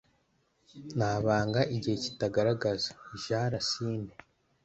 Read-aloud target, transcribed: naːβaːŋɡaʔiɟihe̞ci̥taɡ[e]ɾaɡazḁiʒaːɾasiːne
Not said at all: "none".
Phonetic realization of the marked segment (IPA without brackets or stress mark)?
a